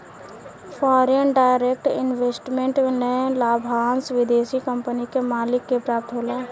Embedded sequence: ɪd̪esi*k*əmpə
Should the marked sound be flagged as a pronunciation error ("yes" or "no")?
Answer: no